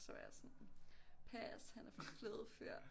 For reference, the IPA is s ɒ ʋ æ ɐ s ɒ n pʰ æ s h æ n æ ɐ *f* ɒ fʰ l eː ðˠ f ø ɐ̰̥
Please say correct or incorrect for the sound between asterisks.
correct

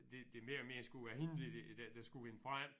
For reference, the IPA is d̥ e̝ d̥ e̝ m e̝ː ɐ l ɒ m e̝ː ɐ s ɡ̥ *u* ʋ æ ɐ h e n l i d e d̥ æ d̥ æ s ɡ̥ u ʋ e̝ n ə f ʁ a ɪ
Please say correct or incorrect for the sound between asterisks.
correct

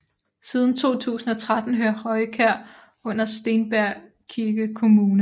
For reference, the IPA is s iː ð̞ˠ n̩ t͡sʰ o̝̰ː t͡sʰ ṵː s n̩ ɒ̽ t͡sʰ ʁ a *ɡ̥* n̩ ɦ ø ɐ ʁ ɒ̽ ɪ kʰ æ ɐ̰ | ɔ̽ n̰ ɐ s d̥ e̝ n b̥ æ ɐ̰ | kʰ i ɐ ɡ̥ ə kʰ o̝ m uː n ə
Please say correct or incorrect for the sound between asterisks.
incorrect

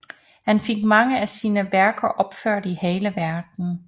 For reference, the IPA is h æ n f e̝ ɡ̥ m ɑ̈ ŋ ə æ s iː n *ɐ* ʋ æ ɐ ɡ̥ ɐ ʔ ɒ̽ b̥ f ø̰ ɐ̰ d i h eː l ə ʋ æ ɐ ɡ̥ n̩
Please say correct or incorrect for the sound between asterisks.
incorrect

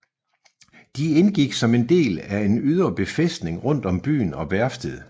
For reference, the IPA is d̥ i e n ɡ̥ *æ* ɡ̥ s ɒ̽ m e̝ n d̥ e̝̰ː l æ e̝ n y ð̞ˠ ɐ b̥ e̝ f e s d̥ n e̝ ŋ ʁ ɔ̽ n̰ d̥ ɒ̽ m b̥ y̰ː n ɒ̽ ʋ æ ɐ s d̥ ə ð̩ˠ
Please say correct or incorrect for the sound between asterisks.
incorrect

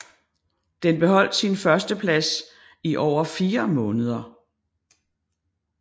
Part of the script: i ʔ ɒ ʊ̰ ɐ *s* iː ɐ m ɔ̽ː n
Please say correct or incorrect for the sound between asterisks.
incorrect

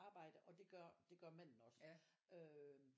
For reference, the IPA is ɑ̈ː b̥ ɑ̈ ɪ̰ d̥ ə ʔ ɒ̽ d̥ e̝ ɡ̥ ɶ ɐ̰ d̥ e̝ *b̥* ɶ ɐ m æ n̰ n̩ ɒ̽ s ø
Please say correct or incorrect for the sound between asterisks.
incorrect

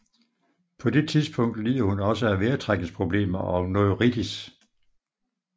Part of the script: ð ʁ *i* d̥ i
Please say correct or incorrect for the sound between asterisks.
correct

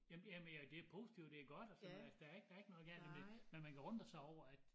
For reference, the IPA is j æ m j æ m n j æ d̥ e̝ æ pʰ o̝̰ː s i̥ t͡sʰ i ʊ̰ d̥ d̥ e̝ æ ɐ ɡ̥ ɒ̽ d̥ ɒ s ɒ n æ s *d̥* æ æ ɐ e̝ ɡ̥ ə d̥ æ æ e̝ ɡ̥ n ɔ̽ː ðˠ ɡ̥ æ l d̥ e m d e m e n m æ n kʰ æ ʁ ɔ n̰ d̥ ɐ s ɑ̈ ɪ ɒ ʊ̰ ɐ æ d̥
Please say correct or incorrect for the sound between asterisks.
correct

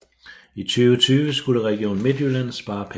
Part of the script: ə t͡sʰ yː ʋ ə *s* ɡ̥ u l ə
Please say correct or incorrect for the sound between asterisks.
correct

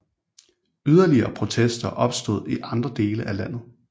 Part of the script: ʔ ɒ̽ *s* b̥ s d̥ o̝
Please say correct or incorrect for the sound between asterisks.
incorrect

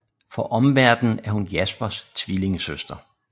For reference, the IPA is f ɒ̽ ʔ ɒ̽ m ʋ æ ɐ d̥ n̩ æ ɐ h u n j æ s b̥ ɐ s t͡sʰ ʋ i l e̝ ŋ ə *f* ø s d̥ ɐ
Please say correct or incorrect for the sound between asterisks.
incorrect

